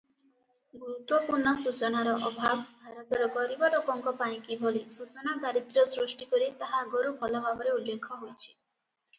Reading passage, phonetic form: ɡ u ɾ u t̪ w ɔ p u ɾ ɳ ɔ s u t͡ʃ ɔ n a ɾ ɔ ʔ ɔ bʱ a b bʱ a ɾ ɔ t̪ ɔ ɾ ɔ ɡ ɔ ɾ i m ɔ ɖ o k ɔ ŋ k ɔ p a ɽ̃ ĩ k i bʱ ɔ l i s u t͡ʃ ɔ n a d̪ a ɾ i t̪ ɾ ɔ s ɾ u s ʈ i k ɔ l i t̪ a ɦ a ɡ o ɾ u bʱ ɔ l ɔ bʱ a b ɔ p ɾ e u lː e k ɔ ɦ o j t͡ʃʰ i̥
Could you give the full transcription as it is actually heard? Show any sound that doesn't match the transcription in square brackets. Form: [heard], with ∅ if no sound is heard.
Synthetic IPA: ɡ u ɾ u t̪ w ɔ p u ɾ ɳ ɔ s u t͡ʃ ɔ n a ɾ ɔ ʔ ɔ bʱ a b bʱ a ɾ ɔ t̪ ɔ ɾ ɔ ɡ ɔ ɾ i [b] ɔ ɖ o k ɔ ŋ k ɔ p a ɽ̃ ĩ k i bʱ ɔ l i s u t͡ʃ ɔ n a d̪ a ɾ i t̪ ɾ ɔ s ɾ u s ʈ i k ɔ [ɾ] i t̪ a ɦ a ɡ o ɾ u bʱ ɔ l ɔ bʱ a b ɔ [∅] ɾ e u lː e [kʰ] ɔ ɦ o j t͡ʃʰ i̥